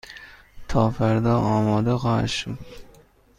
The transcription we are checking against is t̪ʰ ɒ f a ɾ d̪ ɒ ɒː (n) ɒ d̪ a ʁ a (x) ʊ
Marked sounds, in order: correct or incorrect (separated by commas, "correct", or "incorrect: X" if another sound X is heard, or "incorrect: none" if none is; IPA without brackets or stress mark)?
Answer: incorrect: m, incorrect: ʃ